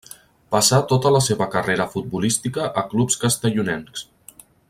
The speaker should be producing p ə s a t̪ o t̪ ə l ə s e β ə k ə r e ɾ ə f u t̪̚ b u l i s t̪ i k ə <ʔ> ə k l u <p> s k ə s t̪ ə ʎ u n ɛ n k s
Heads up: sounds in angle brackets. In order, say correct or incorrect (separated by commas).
correct, correct